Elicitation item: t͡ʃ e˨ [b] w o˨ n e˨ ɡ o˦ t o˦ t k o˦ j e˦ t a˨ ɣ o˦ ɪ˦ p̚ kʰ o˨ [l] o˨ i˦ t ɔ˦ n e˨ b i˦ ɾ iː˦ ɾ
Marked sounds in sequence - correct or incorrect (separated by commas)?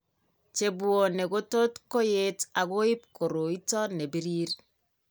correct, incorrect